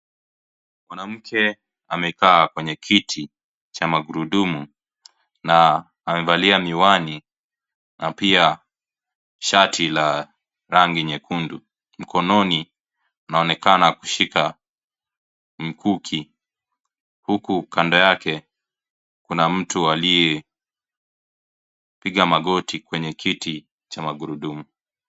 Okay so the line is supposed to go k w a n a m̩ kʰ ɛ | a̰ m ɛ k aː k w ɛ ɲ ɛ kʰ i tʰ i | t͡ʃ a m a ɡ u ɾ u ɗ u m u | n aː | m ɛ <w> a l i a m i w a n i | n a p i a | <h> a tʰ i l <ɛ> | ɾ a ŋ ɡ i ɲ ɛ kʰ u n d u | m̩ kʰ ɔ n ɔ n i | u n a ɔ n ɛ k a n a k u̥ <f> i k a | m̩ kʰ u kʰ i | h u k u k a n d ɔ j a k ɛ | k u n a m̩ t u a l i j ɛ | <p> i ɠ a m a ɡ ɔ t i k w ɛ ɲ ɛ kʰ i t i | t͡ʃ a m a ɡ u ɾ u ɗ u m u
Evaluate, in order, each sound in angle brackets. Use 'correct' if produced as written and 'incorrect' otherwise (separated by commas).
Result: incorrect, incorrect, incorrect, incorrect, correct